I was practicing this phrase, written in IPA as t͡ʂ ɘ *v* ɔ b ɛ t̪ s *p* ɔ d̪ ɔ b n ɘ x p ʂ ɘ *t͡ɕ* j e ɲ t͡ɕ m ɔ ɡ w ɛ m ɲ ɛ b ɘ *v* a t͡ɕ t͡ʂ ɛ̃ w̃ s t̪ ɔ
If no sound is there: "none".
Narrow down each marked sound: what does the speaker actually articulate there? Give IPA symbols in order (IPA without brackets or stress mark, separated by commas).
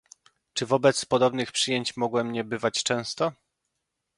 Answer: v, p, none, v